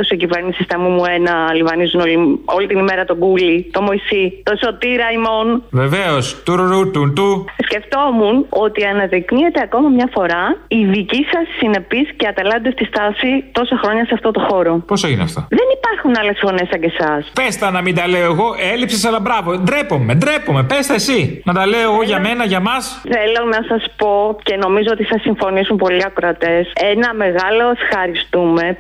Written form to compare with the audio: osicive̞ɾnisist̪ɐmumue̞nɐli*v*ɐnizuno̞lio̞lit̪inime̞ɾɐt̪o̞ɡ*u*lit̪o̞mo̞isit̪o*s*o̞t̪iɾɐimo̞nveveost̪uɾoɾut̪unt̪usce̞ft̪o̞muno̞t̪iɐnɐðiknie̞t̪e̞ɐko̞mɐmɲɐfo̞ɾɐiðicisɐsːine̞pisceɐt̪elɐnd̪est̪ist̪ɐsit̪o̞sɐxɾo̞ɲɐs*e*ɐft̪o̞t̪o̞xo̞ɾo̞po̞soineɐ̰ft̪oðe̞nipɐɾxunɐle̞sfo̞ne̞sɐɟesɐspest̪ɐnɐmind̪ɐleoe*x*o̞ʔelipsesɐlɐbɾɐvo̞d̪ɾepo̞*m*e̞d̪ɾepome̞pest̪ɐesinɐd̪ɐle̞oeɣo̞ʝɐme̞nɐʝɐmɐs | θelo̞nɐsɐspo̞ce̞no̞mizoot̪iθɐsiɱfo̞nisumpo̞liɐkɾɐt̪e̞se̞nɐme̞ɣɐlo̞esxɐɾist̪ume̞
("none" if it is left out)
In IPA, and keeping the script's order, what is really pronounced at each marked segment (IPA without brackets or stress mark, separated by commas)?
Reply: v, u, s, e, ɣ, m